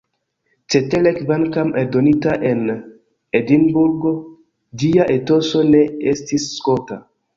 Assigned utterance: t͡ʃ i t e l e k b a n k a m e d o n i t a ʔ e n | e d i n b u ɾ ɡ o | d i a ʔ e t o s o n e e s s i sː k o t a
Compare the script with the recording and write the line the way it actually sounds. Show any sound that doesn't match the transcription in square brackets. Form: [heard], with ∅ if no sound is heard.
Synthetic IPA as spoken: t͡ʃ [e] t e l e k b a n k a m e d o n i t a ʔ e n | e d i n b u ɾ ɡ o | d i a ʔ e t o s o n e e s [t] i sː k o t a